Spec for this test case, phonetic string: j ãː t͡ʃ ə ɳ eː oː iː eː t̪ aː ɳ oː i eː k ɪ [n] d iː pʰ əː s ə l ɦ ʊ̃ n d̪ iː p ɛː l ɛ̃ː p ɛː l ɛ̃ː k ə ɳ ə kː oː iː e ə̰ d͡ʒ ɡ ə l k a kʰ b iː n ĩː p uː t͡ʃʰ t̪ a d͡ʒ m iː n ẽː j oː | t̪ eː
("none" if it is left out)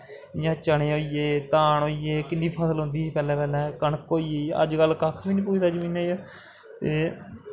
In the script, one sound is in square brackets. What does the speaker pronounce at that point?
n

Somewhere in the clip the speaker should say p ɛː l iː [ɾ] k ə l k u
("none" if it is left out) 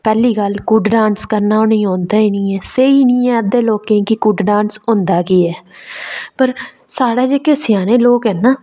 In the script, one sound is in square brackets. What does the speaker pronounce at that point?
none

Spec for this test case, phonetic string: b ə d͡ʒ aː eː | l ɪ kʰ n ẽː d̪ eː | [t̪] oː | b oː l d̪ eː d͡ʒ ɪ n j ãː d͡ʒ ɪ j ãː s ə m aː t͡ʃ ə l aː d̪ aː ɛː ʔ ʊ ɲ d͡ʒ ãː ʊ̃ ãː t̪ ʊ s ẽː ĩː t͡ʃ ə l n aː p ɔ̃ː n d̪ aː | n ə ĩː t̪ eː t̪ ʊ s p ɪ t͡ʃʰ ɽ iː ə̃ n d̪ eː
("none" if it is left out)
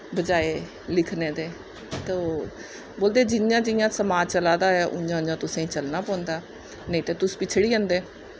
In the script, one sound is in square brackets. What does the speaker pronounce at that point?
t̪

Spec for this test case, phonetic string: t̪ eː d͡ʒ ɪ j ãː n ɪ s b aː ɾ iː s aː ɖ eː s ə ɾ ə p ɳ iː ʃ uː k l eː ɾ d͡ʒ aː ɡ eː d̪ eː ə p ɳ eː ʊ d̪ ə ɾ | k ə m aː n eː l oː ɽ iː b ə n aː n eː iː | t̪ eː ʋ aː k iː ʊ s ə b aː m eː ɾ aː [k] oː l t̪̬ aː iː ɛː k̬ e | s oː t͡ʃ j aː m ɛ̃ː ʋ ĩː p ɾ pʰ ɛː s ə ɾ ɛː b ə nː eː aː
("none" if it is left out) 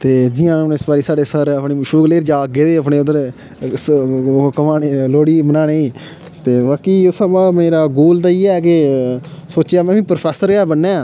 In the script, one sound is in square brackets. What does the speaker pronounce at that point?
ɡ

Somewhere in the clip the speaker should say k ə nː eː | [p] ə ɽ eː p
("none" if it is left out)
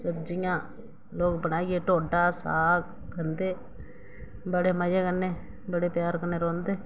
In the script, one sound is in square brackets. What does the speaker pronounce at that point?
b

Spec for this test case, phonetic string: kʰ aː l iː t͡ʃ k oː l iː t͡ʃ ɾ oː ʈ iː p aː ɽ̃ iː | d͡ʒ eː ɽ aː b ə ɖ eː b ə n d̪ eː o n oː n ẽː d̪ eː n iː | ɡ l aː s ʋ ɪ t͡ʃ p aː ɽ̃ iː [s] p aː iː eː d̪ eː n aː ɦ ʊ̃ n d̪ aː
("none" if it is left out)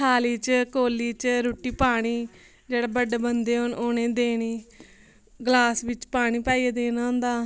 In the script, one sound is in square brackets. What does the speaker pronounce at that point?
none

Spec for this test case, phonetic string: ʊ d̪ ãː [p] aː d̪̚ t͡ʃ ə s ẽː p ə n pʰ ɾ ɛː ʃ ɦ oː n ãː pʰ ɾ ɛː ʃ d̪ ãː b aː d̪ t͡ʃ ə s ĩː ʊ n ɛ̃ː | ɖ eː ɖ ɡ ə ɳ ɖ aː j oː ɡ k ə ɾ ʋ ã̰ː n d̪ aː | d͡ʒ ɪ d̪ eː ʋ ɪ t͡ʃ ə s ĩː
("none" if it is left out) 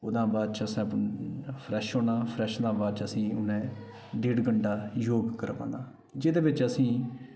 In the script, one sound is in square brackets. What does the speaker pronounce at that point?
b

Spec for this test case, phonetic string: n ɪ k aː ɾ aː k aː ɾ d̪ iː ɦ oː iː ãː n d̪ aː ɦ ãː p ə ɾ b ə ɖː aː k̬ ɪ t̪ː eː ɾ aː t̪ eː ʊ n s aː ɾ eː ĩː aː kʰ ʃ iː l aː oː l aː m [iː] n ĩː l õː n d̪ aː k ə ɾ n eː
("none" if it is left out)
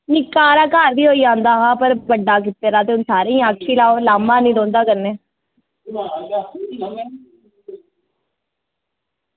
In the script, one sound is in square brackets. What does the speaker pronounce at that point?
aː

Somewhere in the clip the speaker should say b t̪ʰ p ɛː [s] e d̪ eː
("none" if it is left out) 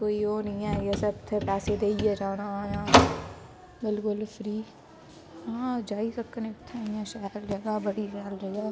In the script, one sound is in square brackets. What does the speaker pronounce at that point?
s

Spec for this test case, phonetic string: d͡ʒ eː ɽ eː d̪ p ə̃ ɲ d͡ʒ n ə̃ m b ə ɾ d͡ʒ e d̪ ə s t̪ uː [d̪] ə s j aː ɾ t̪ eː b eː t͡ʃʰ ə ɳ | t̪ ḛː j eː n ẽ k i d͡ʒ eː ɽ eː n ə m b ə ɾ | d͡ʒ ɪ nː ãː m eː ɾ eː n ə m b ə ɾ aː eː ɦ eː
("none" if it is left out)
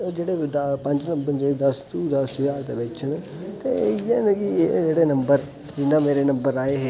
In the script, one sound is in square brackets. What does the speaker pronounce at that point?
d̪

